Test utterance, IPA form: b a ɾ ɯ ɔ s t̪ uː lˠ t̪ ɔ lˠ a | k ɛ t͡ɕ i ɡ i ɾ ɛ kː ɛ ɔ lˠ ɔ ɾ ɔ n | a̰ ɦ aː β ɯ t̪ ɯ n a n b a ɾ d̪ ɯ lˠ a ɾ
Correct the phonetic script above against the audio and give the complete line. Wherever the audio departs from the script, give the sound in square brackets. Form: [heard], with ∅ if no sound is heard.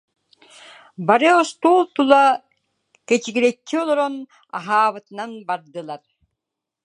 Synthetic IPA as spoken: b a ɾ ɯ ɔ s t̪ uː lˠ t̪ [u] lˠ a | k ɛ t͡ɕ i ɡ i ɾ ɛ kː [i] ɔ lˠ ɔ ɾ ɔ n | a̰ ɦ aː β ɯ t̪ ɯ n a n b a ɾ d̪ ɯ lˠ a ɾ

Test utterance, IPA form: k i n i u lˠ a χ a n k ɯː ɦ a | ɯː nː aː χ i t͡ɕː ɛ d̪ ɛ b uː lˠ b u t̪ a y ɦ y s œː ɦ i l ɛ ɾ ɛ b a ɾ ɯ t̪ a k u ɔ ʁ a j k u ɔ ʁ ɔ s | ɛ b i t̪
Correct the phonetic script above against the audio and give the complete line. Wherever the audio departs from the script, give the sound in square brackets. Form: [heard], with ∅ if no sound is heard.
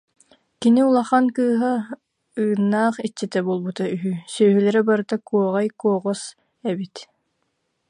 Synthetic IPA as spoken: k i n i u lˠ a χ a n k ɯː ɦ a | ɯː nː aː χ i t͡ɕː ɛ [t̪] ɛ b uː lˠ b u t̪ a y ɦ y s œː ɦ [y] l ɛ ɾ ɛ b a ɾ ɯ t̪ a k u ɔ ʁ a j k u ɔ ʁ ɔ s | ɛ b i t̪

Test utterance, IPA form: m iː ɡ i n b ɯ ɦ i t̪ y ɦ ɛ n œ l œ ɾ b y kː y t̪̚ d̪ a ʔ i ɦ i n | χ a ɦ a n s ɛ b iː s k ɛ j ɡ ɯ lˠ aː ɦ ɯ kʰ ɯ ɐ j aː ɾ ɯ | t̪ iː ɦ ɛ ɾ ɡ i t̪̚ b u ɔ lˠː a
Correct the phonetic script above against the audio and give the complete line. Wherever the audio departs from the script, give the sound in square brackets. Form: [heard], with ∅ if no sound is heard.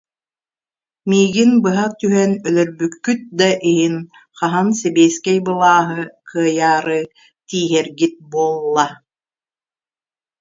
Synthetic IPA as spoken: m iː ɡ i n b ɯ ɦ [a] t̪ y ɦ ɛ n œ l œ ɾ b y kː y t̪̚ d̪ a ʔ i ɦ i n | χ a ɦ a n s ɛ b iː s k ɛ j [b] ɯ lˠ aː ɦ ɯ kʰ ɯ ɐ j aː ɾ ɯ | t̪ iː ɦ ɛ ɾ ɡ i t̪̚ b u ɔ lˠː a

